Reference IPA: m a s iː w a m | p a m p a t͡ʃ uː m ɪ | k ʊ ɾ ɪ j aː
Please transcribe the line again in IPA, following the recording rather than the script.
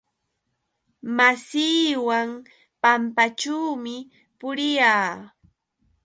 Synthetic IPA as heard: m a s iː w a ŋ | p a m p a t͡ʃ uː m ɪ | p ʊ ɾ ɪ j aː